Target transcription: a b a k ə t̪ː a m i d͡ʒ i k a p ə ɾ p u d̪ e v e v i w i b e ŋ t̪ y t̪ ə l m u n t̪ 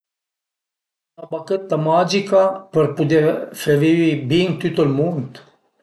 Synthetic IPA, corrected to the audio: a b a k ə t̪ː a m a d͡ʒ i k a p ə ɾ p u d̪ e f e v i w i b i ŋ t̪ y t̪ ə l m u n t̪